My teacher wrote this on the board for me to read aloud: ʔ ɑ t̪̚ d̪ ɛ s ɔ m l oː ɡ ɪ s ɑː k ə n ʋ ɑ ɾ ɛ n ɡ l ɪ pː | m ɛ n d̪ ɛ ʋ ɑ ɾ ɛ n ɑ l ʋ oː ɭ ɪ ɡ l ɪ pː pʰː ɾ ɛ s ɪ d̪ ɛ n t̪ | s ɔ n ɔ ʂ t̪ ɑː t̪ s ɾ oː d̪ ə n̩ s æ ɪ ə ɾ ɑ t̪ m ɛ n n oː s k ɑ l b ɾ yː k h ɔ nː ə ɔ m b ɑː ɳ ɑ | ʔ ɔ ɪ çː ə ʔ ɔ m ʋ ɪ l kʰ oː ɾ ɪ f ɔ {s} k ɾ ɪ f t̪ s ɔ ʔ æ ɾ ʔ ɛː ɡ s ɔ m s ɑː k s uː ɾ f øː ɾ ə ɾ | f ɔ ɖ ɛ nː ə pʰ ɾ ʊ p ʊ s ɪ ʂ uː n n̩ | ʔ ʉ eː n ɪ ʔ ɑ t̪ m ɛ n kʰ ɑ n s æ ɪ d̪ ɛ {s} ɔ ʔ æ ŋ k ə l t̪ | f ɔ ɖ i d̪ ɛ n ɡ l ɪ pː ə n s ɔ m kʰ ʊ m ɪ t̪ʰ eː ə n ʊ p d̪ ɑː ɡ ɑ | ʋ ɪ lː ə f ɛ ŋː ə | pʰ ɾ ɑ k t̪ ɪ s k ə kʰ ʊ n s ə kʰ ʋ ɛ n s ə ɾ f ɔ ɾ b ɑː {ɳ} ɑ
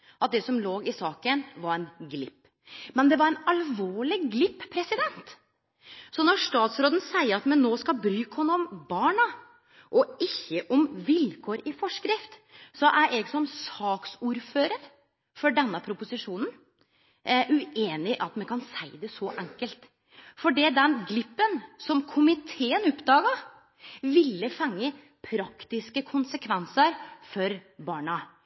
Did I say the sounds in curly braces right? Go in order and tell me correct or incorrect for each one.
incorrect: ʂ, correct, correct

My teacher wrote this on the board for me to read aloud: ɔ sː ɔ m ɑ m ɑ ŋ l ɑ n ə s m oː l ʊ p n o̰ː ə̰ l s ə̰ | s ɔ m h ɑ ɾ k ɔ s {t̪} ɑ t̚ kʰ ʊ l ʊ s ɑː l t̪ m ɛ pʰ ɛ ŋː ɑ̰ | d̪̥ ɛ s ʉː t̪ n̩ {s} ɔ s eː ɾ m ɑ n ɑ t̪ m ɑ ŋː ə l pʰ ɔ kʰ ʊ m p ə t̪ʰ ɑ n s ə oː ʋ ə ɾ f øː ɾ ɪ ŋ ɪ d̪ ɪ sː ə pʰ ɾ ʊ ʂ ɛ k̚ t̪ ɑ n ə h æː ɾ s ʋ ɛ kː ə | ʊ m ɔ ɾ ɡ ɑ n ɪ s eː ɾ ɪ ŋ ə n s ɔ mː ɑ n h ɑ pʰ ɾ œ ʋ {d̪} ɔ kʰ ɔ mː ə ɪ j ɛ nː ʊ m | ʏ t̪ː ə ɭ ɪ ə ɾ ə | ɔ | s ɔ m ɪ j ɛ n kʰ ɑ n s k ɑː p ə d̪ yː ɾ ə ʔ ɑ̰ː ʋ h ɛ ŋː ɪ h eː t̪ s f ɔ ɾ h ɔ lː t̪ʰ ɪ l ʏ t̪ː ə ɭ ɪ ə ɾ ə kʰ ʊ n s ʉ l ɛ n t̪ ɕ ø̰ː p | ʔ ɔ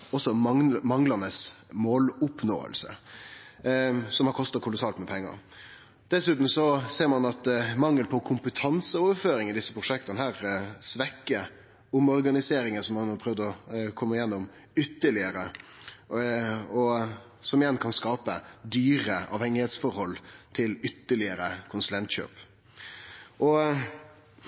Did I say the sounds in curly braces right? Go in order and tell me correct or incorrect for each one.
correct, correct, correct

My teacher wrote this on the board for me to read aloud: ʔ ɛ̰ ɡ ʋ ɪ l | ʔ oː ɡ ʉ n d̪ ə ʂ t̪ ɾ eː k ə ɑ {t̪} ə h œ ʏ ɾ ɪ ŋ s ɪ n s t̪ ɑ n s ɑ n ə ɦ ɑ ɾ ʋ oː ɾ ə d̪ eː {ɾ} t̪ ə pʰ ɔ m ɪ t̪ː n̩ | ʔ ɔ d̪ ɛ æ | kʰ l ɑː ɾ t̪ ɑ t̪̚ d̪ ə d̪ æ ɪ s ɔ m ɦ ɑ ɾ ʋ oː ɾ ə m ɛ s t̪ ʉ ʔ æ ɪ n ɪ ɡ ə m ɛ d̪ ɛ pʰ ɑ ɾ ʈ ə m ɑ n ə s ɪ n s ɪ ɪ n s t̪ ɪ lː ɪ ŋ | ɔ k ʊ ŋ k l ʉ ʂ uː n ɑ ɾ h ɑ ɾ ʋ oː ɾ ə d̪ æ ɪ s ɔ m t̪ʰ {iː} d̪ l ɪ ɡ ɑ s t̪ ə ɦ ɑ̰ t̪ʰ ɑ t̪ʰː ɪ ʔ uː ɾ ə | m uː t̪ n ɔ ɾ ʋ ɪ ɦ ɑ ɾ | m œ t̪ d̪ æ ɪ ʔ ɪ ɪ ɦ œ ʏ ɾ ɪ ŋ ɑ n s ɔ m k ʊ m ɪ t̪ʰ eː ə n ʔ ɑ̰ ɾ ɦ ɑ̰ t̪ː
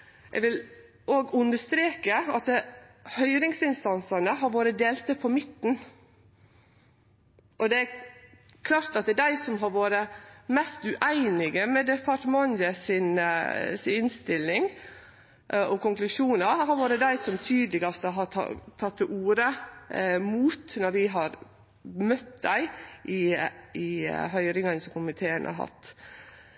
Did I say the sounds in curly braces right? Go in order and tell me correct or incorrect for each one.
correct, incorrect: l, incorrect: yː

